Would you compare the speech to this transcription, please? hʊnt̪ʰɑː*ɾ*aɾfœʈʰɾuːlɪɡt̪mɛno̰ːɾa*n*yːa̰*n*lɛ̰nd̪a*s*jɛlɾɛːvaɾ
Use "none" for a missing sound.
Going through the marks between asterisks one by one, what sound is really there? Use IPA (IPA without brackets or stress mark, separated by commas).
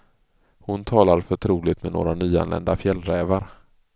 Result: l, n, n, f